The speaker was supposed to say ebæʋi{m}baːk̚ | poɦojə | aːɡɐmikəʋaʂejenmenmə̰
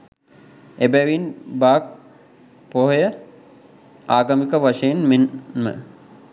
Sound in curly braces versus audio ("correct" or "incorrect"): incorrect